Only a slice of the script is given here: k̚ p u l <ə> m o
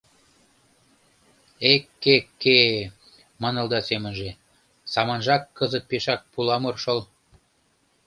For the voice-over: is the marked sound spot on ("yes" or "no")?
no